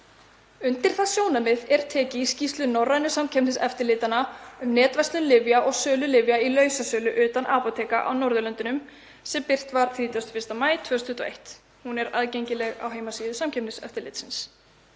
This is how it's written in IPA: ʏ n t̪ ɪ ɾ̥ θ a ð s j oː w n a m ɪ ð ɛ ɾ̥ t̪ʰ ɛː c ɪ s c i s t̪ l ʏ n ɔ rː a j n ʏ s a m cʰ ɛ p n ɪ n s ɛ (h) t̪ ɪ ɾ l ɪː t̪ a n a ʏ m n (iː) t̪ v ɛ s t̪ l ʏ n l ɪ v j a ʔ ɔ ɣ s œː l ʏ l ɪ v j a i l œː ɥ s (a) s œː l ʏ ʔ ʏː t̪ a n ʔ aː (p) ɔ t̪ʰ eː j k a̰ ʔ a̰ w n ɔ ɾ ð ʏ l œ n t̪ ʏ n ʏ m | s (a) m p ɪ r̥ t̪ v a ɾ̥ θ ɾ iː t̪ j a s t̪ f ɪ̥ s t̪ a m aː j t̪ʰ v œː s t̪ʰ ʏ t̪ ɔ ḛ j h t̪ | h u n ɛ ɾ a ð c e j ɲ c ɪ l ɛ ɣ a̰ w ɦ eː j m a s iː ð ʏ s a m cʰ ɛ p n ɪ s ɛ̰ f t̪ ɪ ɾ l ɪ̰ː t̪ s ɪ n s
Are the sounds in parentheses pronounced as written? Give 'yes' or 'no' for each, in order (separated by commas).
no, no, yes, yes, no